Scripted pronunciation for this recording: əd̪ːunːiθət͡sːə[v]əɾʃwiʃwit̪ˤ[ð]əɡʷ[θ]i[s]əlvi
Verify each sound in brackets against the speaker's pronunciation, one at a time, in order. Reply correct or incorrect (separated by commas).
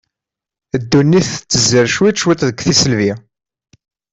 incorrect, correct, correct, correct